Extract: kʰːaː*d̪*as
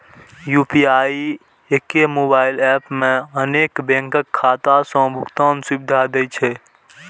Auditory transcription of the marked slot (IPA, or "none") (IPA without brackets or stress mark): t̪